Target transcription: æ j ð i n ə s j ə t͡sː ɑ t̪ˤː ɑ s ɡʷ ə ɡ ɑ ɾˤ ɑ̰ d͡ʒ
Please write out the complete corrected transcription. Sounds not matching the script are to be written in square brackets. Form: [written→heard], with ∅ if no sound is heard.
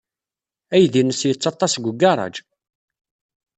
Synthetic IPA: æ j ð i n ə s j ə t͡sː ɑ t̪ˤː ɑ s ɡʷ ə ɡ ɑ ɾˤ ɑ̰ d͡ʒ